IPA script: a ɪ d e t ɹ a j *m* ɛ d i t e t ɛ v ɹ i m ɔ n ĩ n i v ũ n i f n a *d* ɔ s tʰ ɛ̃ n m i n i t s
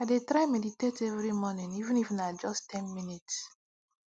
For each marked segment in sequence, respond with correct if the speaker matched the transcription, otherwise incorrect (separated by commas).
correct, incorrect